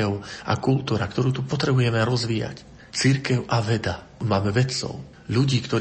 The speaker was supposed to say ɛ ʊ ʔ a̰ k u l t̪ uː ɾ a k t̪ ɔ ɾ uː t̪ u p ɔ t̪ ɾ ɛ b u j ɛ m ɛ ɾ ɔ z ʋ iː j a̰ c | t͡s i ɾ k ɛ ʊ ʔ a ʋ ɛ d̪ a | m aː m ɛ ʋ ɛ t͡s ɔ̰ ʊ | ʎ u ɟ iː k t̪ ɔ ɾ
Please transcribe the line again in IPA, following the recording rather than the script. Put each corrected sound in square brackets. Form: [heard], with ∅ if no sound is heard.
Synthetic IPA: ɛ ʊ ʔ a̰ k u l t̪ uː ɾ a k t̪ ɔ ɾ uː t̪ u p ɔ t̪ ɾ ɛ b u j ɛ m ɛ ɾ ɔ z ʋ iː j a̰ c | t͡s i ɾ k ɛ ʊ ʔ a ʋ ɛ d̪ a | m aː m ɛ ʋ ɛ t͡s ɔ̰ ʊ | ʎ u ɟ iː k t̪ ɔ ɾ